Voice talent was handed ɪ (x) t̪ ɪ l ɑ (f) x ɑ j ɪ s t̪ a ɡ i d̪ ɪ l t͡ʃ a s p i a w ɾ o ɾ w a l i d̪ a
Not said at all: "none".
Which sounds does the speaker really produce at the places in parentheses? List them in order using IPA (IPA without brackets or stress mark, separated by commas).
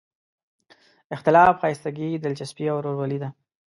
x, f